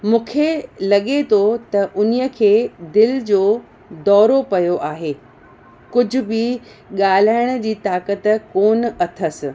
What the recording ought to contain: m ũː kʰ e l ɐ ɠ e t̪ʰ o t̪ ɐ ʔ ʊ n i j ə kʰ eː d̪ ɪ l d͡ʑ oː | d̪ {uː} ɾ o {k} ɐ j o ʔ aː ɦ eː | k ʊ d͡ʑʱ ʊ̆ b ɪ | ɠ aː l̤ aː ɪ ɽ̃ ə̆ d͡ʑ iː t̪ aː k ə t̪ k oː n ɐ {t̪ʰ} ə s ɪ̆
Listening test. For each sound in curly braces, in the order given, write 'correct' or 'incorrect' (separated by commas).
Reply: incorrect, incorrect, correct